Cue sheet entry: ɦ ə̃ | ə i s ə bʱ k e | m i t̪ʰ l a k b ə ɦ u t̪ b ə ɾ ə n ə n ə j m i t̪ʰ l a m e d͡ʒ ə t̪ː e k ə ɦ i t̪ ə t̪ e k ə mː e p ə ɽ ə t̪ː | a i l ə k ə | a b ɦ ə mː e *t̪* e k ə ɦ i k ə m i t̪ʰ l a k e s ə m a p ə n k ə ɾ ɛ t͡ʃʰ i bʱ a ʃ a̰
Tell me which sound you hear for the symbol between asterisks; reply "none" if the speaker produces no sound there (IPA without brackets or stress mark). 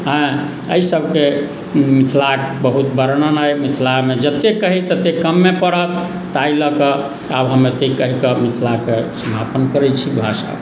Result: t̪